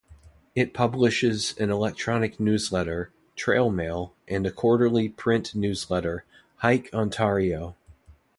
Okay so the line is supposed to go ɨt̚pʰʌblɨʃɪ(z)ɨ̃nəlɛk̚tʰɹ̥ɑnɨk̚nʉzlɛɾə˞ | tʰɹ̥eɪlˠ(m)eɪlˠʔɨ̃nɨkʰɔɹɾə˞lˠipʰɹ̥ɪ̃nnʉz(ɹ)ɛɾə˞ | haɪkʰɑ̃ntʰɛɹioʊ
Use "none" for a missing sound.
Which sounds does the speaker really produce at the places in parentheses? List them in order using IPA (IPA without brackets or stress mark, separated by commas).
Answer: z, m, l